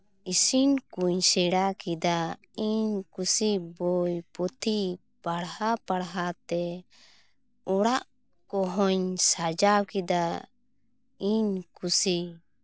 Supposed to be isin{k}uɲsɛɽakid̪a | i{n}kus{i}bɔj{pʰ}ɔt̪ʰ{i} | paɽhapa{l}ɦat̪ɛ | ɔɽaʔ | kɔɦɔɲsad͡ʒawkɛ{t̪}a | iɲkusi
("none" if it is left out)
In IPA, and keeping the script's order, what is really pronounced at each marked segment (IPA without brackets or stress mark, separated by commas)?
k, ɲ, i, p, i, ɽ, d̪